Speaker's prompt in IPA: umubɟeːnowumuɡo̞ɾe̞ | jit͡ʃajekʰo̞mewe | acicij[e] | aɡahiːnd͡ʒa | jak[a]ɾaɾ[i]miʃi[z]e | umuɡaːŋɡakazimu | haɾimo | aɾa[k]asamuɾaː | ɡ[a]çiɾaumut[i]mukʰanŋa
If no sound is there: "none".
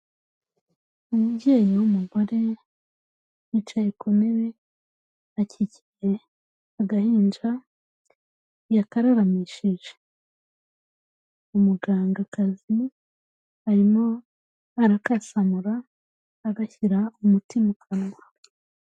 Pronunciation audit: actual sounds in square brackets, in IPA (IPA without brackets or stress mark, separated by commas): e, a, a, ʒ, k, a, i